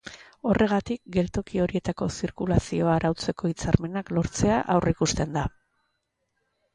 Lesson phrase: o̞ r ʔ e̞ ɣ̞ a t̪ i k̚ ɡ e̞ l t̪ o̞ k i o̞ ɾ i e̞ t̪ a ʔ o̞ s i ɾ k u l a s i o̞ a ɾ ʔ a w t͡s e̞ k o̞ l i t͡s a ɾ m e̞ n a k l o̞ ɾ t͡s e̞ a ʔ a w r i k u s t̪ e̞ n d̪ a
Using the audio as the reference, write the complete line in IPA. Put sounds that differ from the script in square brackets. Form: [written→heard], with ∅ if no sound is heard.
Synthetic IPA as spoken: o̞ r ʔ e̞ ɣ̞ a t̪ i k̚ ɡ e̞ l t̪ o̞ k i o̞ ɾ i e̞ t̪ a [ʔ→k] o̞ s i ɾ k u l a s i o̞ a ɾ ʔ a w t͡s e̞ k o̞ [l→∅] i t͡s a ɾ m e̞ n a k l o̞ ɾ t͡s e̞ a ʔ a w r i k u s t̪ e̞ n d̪ a